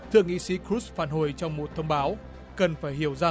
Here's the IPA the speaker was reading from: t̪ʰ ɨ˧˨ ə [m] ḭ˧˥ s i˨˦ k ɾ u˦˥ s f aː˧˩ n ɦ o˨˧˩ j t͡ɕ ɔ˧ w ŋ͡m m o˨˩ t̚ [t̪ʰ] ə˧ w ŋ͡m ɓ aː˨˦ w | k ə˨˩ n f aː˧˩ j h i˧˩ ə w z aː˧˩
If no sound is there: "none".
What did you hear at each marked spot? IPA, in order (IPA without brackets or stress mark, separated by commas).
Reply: ŋ, t̪ʰ